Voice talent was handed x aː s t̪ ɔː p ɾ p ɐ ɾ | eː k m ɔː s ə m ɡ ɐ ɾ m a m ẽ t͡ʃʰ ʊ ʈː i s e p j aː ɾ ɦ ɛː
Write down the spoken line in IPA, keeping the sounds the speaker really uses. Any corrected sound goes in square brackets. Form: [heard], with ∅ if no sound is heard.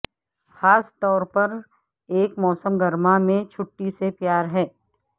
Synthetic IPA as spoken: x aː s t̪ ɔː [∅] ɾ p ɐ ɾ | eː k m ɔː s ə m ɡ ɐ ɾ m a m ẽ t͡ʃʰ ʊ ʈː i s e p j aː ɾ ɦ ɛː